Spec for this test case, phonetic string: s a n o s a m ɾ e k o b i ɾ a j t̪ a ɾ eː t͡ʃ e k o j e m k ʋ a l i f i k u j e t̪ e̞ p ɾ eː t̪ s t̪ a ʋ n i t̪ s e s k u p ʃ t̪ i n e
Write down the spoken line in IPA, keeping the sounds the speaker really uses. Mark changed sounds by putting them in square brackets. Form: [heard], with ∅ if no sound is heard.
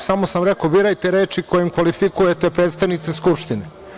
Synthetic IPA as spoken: s a [m] o s a m ɾ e k o b i ɾ a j t̪ [e] ɾ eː t͡ʃ [i] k o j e m k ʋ a l i f i k u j e t̪ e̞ p ɾ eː t̪ s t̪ a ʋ n i t̪ s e s k u p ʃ t̪ i n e